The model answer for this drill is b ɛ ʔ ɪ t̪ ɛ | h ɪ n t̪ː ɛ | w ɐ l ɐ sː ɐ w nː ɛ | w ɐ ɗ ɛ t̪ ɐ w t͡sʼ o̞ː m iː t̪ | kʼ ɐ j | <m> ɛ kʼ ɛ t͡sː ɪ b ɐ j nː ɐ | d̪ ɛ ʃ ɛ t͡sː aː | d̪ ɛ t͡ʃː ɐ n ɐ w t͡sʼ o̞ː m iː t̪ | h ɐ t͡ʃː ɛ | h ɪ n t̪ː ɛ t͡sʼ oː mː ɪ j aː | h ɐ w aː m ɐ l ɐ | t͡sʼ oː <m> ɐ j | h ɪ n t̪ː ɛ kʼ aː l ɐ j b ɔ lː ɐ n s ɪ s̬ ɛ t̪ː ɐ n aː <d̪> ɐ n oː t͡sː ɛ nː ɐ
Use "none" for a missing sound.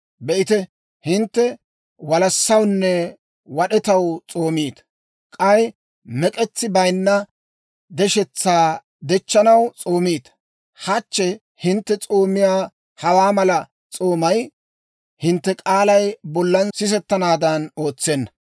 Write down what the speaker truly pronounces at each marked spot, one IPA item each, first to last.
m, m, d̪

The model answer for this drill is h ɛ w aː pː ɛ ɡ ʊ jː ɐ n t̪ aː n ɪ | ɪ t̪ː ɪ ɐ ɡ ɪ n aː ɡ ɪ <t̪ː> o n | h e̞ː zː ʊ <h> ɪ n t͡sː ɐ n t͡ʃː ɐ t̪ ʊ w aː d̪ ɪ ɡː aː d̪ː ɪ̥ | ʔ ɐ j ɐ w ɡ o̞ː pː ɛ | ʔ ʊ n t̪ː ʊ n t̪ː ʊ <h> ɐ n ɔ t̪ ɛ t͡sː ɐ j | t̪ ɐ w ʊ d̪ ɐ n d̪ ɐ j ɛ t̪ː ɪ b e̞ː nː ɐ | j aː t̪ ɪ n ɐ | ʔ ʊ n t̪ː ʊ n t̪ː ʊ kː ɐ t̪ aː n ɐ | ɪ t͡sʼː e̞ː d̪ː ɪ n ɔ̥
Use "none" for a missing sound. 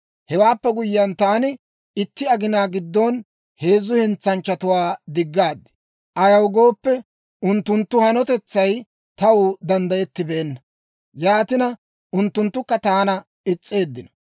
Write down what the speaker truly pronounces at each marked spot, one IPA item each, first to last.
d̪ː, h, h

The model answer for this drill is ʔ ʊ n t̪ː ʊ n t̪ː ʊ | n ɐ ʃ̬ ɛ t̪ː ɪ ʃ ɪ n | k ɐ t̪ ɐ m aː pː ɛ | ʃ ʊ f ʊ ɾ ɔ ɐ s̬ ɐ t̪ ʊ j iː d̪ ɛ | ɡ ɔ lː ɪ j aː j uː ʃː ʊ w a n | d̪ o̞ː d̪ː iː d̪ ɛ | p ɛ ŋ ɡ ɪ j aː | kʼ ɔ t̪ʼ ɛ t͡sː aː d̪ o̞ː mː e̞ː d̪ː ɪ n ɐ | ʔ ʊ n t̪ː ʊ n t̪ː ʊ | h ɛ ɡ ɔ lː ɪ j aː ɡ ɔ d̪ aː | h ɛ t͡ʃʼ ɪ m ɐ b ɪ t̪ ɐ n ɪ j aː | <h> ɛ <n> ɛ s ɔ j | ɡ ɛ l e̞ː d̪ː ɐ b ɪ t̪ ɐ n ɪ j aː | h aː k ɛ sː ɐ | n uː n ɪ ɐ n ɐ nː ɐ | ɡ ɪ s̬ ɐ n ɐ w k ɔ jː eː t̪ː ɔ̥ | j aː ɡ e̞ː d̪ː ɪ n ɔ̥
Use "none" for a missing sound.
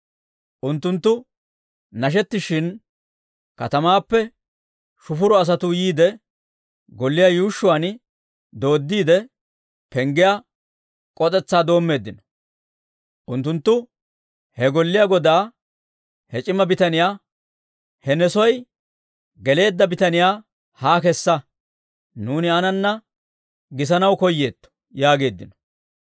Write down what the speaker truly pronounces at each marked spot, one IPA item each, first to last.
h, n

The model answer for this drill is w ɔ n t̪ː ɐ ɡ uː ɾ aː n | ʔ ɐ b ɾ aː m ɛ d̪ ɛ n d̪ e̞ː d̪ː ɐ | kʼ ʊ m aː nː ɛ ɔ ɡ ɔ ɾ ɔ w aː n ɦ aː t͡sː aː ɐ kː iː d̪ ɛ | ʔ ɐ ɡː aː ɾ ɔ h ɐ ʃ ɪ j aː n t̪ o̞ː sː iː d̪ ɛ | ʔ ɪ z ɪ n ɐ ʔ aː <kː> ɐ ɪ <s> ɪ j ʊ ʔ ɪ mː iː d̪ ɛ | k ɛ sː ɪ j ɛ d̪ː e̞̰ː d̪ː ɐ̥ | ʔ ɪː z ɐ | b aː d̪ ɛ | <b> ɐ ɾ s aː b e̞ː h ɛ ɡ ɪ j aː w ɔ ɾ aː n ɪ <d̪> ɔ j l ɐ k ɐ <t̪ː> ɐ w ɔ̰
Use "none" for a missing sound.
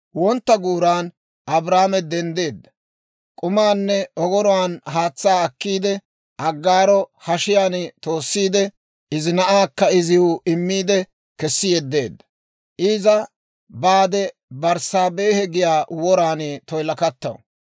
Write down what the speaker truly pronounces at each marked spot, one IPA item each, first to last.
kː, z, b, t̪, t̪ː

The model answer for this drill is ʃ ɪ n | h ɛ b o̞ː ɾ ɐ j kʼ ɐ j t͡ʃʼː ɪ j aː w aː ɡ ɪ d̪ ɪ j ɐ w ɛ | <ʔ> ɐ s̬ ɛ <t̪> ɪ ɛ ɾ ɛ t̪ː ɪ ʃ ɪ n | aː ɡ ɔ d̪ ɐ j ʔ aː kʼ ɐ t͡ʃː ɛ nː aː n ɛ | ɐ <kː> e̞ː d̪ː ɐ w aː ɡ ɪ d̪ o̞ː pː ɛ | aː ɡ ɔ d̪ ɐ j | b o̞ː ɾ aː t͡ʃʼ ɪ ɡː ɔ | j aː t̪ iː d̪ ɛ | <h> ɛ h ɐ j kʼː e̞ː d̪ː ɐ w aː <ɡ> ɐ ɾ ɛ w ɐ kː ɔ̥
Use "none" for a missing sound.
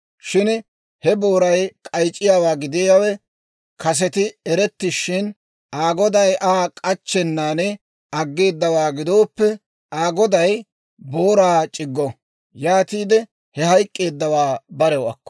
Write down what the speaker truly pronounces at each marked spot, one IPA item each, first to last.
k, t̪, ɡː, h, b

